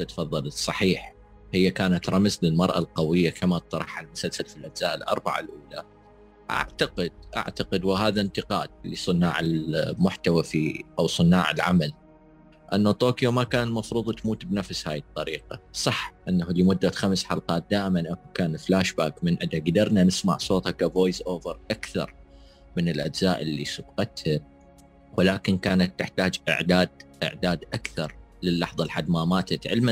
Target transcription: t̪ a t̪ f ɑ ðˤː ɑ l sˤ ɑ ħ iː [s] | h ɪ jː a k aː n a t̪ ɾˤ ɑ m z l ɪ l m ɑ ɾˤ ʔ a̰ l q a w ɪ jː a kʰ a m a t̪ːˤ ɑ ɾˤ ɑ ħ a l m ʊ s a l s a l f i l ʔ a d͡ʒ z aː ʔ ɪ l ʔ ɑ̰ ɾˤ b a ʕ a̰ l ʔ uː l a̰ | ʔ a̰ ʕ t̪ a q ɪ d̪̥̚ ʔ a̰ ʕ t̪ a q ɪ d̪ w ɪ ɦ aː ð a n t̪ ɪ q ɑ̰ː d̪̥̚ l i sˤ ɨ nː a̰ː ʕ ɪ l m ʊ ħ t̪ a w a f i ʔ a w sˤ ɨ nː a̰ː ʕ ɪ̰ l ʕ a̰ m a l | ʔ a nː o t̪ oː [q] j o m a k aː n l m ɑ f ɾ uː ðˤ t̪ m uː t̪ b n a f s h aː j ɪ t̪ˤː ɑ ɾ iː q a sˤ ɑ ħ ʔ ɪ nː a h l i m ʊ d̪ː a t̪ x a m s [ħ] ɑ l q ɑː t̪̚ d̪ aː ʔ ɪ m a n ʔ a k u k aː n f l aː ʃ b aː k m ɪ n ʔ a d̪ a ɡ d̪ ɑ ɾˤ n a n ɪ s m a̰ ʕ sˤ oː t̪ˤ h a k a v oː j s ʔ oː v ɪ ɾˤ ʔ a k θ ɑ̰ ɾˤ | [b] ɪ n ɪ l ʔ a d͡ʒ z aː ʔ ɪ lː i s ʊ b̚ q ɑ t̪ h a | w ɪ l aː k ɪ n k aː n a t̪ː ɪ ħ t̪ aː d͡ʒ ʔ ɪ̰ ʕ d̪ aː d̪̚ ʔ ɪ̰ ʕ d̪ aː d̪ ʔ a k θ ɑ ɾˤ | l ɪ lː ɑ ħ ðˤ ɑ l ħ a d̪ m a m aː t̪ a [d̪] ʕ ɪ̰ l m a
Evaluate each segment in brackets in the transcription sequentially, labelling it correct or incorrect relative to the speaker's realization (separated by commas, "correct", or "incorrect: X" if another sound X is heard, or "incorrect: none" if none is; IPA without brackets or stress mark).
incorrect: ħ, incorrect: k, correct, incorrect: m, incorrect: t̪